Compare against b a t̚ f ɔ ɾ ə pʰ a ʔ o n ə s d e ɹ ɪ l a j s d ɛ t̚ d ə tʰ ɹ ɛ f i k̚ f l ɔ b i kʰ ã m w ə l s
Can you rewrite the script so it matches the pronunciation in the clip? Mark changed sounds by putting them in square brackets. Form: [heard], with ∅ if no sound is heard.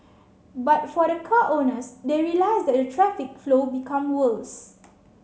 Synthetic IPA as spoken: b a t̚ f ɔ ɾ ə [kʰ] a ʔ o n ə s d e ɹ [i] l a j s d ɛ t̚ d ə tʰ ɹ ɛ f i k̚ f l [o] b i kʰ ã m w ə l s